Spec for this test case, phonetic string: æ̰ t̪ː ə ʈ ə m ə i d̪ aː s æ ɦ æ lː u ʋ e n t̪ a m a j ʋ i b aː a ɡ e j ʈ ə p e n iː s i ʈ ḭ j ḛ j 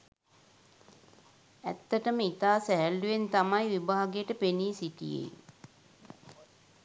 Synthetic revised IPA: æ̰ t̪ː ə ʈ ə m ə i t̪ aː s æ ɦ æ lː u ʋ e n t̪ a m a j ʋ i b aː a ɡ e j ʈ ə p e n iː s i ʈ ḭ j ḛ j

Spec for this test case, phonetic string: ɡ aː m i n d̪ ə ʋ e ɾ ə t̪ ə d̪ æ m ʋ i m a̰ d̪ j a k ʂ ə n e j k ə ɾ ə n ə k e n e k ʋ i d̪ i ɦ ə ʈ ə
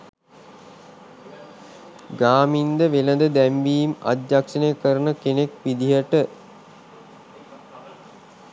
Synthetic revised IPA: ɡ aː m i n d̪ ə ʋ e l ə d̪ ə d̪ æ m ʋ iː m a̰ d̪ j a k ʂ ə n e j k ə ɾ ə n ə k e n e k ʋ i d̪ i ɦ ə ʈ ə

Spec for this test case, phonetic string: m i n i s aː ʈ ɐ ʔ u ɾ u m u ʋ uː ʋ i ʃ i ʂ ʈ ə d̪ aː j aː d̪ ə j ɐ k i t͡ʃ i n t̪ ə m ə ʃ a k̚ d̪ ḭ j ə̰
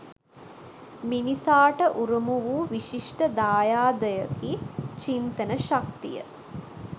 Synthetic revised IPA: m i n i s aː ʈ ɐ ʔ u ɾ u m u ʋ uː ʋ i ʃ i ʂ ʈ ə d̪ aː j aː d̪ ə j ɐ k i t͡ʃ i n t̪ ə n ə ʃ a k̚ t̪ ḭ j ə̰

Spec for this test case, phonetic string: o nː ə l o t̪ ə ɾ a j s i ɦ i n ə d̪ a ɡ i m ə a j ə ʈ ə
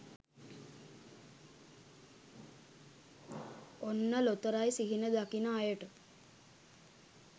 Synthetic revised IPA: o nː ə l o t̪ ə ɾ a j s i ɦ i n ə d̪ a k i n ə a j ə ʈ ə

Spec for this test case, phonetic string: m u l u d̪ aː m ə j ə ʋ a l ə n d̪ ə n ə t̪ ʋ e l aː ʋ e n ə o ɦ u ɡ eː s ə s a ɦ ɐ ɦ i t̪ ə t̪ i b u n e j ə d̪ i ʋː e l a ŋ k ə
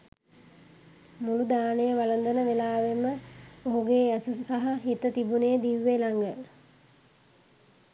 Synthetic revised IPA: m u l u d̪ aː n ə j ə ʋ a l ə n d̪ ə n ə ʋ e l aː ʋ e m ə o ɦ u ɡ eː s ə s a ɦ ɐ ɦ i t̪ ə t̪ i b u n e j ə d̪ i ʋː e l a ŋ ɡ ə

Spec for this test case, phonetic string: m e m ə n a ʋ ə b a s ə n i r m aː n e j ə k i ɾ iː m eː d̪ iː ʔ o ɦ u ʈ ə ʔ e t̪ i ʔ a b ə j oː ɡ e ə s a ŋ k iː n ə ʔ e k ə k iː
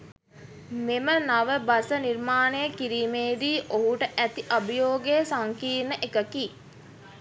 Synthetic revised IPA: m e m ə n a ʋ ə b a s ə n i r m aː n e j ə k i ɾ iː m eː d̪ iː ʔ o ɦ u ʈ ə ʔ æ t̪ i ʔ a b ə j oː ɡ e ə s a ŋ k iː n ə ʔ e k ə k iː

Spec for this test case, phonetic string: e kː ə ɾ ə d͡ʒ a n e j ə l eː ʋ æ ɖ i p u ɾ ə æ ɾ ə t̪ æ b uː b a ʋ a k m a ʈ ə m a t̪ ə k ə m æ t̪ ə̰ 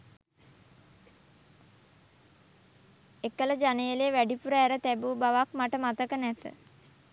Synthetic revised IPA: e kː ə l ə d͡ʒ a n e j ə l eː ʋ æ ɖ i p u ɾ ə æ ɾ ə t̪ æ b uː b a ʋ a k m a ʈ ə m a t̪ ə k ə n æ t̪ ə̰

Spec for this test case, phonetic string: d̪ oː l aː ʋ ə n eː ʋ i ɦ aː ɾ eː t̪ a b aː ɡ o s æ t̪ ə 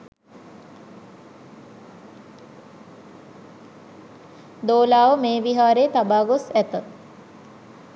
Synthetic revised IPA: d̪ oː l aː ʋ ə m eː ʋ i ɦ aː ɾ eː t̪ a b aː ɡ o s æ t̪ ə

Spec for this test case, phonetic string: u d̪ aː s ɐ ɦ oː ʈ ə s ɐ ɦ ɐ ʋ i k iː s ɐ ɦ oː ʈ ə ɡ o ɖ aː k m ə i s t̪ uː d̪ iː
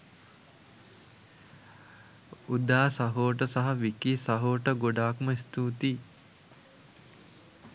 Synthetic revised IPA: u d̪ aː s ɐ ɦ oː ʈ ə s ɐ ɦ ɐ ʋ i k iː s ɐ ɦ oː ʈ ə ɡ o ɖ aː k m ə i s t̪ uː t̪ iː

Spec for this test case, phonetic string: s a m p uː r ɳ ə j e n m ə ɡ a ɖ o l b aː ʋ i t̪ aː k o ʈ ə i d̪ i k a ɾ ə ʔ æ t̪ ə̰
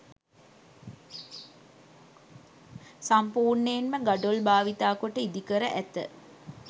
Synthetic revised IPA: s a m p uː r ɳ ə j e n m ə ɡ a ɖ o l b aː ʋ i t̪ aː k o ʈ ə i d̪ i k ə ɾ ə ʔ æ t̪ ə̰

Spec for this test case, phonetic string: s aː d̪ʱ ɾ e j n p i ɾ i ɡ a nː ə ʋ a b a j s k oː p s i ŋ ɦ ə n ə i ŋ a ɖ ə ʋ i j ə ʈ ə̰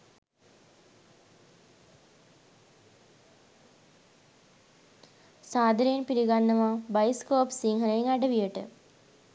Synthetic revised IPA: s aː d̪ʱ ɾ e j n p i ɾ i ɡ a nː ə ʋ a b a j s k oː p s i ŋ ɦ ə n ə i ŋ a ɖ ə ʋ i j ə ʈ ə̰

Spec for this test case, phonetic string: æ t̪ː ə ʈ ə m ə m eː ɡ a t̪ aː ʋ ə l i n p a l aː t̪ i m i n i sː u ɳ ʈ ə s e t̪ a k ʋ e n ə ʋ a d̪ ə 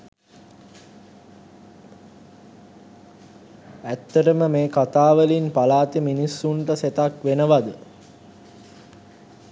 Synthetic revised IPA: æ t̪ː ə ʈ ə m ə m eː k a t̪ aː ʋ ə l i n p a l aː t̪ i m i n i sː u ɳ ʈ ə s e t̪ a k ʋ e n ə ʋ a d̪ ə

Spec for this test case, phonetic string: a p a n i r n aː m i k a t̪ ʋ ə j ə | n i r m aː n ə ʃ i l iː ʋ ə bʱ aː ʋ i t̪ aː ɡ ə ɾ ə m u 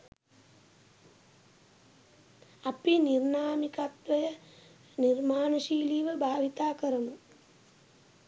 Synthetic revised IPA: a p i n i r n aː m i k a t̪ ʋ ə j ə | n i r m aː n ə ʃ iː l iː ʋ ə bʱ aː ʋ i t̪ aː k ə ɾ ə m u

